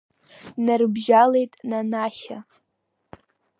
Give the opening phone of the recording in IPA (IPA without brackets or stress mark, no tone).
n